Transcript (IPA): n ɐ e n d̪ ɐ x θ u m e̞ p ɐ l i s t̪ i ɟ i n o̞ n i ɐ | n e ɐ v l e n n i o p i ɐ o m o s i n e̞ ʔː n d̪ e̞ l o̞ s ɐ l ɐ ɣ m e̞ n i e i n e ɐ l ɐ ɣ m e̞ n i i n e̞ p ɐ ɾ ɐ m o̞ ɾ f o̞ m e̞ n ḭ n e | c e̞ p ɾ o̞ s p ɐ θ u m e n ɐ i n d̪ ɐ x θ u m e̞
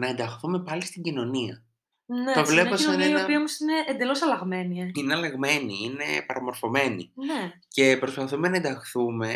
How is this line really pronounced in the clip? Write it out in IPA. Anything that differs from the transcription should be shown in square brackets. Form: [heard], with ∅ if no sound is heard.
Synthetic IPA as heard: n ɐ e n d̪ ɐ x θ u m e̞ p ɐ l i s t̪ i ɟ i n o̞ n i ɐ | n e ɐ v l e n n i o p i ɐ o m o s i n e̞ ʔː n d̪ e̞ l o̞ s ɐ l ɐ ɣ m e̞ n i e i n e ɐ l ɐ ɣ m e̞ n i i n e̞ p ɐ ɾ ɐ m o̞ ɾ f o̞ m e̞ n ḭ n e | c e̞ p ɾ o̞ s p ɐ θ u m e n ɐ [e] n d̪ ɐ x θ u m e̞